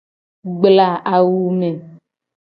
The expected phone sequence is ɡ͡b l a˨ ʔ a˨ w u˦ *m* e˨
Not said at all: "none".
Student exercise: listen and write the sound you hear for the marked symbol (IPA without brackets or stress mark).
m